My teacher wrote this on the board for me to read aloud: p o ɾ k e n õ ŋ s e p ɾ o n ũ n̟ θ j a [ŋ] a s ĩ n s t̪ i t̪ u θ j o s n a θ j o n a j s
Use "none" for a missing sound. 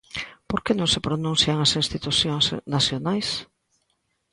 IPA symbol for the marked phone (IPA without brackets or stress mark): ŋ